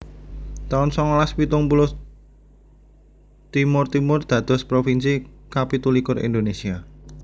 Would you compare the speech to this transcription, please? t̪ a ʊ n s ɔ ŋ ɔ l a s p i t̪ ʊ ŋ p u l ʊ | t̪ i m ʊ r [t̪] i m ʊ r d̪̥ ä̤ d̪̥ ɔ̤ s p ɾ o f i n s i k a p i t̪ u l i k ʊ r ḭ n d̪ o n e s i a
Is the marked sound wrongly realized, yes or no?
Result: no